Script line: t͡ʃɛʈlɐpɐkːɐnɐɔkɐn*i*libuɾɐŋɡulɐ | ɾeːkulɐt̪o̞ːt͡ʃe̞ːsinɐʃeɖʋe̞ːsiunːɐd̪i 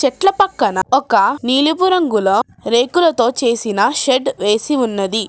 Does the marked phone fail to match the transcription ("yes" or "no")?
yes